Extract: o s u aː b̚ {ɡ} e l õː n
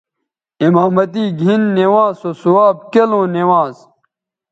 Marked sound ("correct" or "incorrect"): incorrect